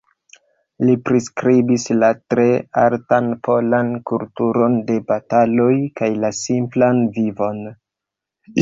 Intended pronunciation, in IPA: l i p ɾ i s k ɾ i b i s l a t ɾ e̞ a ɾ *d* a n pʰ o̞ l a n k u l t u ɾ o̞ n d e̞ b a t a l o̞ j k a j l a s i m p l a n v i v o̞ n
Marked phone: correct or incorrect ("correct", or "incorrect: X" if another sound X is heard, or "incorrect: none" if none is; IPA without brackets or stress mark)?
incorrect: t